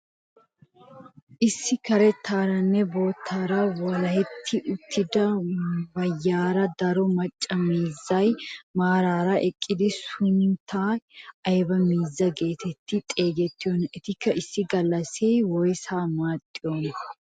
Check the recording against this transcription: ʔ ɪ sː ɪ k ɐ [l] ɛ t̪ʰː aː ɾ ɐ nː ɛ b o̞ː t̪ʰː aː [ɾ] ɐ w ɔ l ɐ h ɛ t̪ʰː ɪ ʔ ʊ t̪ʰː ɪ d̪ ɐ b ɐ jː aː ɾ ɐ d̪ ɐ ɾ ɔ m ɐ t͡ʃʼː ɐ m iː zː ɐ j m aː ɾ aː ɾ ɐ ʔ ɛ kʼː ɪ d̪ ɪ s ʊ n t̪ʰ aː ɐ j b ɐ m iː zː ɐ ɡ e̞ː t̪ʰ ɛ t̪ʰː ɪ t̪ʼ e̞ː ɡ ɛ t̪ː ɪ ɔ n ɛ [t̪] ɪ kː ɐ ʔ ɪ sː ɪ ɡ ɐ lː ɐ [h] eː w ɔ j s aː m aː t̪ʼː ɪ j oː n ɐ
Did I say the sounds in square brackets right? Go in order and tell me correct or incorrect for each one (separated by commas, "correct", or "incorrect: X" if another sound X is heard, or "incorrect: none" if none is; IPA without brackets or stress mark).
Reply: incorrect: ɾ, correct, correct, incorrect: s